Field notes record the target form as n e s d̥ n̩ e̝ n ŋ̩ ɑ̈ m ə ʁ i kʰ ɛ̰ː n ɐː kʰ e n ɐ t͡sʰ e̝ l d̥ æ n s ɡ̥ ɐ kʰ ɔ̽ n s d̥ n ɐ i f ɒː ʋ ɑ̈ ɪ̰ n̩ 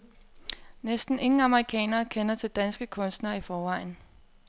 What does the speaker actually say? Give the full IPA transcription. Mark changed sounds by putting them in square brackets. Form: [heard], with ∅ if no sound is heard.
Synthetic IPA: n e s d̥ n̩ e̝ [ŋ] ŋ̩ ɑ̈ m ə ʁ i kʰ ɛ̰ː n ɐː kʰ e n ɐ t͡sʰ e̝ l d̥ æ n s ɡ̥ [ə] kʰ ɔ̽ n s d̥ n ɐ i f ɒː ʋ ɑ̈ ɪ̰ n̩